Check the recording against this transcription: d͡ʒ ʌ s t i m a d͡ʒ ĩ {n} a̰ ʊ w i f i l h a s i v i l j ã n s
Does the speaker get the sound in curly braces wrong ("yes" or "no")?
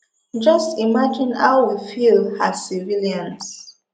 no